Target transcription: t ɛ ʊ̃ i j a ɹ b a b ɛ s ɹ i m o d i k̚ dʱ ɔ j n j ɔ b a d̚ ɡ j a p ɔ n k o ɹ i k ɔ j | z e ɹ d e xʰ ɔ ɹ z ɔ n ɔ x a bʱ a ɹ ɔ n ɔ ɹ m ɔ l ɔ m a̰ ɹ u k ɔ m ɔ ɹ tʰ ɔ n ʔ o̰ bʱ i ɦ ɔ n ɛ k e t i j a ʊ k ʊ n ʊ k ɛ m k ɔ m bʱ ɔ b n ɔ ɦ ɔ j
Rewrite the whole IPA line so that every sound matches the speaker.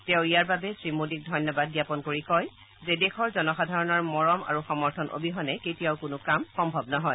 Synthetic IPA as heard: t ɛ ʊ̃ i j a ɹ b a b ɛ s ɹ i m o d i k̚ dʱ ɔ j n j ɔ b a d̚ ɡ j a p ɔ n k o ɹ i k ɔ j | z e d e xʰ ɔ ɹ z ɔ n ɔ x a dʱ a ɹ ɔ n ɔ ɹ m ɔ ɹ ɔ m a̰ ɹ u x ɔ m ɔ ɹ tʰ ɔ n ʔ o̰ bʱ i ɦ ɔ n ɛ k e t i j a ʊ k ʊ n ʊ k a m x ɔ m bʱ ɔ b n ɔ ɦ ɔ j